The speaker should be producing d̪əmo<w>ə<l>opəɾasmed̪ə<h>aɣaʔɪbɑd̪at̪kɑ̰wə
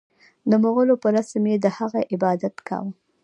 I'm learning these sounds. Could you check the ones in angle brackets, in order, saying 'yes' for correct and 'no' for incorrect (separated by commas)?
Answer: no, yes, yes